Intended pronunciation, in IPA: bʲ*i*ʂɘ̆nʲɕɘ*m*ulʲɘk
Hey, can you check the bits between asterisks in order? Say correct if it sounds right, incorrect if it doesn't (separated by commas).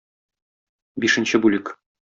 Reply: correct, incorrect